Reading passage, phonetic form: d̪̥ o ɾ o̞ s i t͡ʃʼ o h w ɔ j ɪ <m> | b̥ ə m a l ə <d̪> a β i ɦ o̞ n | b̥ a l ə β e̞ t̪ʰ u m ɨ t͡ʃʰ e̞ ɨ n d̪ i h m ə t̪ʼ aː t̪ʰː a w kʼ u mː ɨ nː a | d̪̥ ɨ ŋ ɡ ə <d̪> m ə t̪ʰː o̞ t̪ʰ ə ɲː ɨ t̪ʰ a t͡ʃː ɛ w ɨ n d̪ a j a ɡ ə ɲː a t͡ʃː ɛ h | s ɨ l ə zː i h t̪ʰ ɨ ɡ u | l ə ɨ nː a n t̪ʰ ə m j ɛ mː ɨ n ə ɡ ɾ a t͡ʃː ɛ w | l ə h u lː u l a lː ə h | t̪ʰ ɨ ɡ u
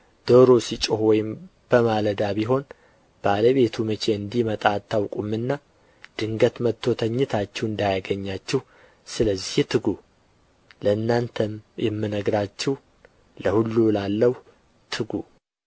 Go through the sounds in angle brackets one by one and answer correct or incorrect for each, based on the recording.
correct, correct, incorrect

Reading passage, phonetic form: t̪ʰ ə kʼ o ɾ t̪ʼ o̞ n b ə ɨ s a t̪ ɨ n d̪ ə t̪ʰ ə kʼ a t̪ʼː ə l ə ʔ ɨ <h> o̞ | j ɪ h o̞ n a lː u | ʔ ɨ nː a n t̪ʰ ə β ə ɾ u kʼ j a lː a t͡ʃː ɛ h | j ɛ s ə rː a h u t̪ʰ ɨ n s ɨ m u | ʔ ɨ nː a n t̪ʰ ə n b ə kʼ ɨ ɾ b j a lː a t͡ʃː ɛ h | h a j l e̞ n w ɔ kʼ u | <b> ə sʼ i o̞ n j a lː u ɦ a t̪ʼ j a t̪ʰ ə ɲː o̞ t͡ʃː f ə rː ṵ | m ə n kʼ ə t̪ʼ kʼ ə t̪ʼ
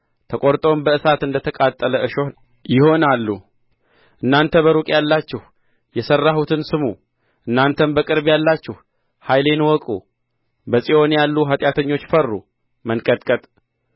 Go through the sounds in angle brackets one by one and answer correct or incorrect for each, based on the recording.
incorrect, correct

